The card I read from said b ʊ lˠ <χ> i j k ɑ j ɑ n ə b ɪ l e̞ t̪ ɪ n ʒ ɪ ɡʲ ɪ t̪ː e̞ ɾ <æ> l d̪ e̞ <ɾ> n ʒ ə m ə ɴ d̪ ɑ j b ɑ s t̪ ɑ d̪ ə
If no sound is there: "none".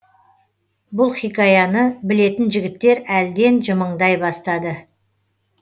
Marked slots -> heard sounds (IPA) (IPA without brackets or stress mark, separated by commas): χ, æ, none